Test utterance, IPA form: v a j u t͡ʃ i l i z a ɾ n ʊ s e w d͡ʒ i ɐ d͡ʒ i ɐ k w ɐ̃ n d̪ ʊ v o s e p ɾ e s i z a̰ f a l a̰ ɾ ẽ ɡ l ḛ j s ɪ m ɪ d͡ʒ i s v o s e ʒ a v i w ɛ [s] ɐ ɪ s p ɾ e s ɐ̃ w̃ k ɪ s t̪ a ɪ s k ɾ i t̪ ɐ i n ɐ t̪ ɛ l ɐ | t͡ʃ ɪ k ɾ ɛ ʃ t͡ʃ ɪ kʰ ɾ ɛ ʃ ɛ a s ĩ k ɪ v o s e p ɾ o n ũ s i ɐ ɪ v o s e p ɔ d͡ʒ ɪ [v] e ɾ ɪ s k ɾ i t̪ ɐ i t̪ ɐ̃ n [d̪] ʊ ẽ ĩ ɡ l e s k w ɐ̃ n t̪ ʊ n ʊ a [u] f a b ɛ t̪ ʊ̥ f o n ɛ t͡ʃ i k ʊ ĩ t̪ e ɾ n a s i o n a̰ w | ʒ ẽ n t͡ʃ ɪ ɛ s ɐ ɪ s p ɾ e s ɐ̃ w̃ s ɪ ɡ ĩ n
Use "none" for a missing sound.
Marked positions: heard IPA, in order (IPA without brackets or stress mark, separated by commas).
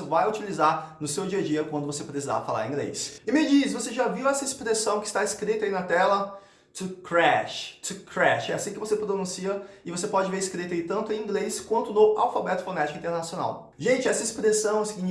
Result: s, v, t̪, w